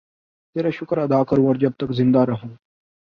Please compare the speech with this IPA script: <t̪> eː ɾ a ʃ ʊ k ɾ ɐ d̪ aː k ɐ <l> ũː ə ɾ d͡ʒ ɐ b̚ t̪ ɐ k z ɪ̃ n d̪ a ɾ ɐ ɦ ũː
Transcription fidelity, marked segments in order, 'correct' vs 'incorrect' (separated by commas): correct, incorrect